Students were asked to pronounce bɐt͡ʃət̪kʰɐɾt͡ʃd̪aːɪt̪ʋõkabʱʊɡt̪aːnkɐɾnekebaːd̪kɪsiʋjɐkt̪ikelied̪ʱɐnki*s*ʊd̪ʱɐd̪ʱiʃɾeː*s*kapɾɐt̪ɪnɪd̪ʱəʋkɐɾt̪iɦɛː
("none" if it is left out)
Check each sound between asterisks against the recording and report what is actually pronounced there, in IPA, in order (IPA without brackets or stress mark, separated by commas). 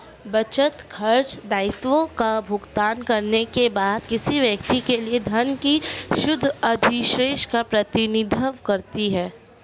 ʃ, ʃ